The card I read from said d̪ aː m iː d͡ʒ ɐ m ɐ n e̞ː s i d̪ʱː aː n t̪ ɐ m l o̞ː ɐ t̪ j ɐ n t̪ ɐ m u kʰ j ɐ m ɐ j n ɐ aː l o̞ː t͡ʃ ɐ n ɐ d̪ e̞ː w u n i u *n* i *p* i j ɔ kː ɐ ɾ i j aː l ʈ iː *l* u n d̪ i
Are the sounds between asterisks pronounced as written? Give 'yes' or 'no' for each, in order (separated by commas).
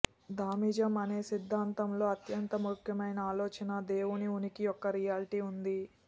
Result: yes, no, no